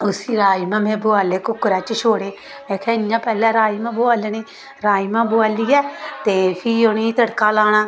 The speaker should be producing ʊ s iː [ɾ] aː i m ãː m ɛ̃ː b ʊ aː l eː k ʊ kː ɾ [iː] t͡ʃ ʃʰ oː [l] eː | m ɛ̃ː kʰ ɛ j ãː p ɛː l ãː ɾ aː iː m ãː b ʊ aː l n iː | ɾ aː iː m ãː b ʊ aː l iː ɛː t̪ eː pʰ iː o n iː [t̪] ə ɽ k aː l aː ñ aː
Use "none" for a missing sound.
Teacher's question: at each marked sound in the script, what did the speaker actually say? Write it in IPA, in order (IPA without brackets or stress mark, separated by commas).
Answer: ɾ, aː, ɽ, t̪